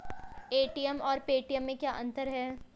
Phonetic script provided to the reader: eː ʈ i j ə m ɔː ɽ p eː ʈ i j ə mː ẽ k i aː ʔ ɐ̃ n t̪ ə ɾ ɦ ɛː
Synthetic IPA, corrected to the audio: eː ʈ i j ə m ɔː ɾ p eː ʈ i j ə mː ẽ k j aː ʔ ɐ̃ n t̪ ə ɾ ɦ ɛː